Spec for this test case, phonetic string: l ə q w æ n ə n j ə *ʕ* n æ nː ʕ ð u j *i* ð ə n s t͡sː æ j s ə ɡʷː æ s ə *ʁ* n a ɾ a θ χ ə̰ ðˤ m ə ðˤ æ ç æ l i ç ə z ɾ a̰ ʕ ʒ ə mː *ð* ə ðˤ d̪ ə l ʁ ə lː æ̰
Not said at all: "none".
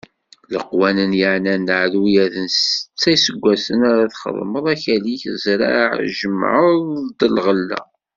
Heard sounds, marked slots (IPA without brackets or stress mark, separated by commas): ʕ, æ, none, ʕ